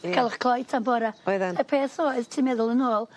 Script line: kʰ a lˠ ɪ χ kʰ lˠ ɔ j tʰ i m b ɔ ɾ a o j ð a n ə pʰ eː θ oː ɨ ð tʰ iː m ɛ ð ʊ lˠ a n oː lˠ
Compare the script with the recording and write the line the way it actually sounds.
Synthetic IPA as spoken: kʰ a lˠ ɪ χ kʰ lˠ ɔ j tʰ a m b ɔ ɾ a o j ð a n ə pʰ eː θ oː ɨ ð tʰ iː m ɛ ð ʊ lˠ ə n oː lˠ